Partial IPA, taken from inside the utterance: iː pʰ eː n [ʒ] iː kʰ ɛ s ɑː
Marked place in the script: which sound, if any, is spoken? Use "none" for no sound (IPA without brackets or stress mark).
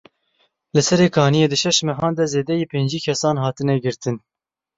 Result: d͡ʒ